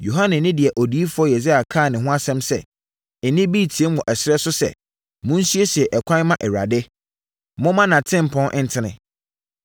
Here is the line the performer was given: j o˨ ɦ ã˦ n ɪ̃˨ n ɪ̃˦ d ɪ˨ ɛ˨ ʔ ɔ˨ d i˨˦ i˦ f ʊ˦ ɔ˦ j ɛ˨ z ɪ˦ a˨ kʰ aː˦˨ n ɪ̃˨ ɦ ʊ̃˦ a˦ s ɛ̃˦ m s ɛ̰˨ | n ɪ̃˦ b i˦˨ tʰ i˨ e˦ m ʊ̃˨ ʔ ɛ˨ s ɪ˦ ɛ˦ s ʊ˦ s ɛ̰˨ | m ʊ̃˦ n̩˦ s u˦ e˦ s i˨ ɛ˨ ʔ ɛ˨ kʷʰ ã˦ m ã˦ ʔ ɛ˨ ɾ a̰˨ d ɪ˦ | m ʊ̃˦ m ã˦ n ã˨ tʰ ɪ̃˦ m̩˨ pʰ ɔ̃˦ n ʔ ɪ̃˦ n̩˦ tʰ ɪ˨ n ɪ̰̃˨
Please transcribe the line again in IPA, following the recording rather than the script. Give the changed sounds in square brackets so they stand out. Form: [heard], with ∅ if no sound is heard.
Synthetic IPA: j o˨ ɦ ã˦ n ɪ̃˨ n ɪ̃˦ d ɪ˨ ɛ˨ ʔ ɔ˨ d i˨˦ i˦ f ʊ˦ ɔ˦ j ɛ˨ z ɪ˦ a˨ kʰ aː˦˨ n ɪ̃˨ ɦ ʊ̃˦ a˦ s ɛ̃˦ m s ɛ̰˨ | n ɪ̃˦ b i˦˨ tʰ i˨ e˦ m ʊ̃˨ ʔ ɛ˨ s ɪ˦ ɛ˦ s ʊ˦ s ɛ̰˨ | m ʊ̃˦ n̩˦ s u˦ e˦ s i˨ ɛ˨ ʔ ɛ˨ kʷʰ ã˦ m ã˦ ʔ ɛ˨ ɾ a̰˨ d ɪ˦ | m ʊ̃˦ m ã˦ n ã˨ tʰ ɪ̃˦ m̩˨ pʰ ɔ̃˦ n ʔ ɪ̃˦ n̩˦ tʰ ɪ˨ n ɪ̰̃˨